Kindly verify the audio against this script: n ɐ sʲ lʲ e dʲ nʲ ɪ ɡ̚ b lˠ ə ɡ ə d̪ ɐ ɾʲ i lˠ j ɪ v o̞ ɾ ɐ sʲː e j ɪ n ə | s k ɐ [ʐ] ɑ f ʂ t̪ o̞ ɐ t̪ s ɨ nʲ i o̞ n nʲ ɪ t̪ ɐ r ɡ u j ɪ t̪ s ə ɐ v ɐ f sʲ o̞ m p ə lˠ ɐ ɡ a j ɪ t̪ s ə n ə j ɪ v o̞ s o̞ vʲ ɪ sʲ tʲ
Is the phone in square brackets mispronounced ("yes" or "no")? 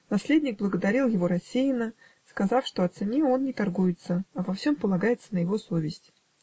yes